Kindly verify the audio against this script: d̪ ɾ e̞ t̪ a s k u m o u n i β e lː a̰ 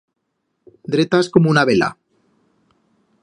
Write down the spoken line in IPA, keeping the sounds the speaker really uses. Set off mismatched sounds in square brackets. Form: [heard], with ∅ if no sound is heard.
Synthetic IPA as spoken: d̪ ɾ e̞ t̪ a s k [o] m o u n [a] β e [l] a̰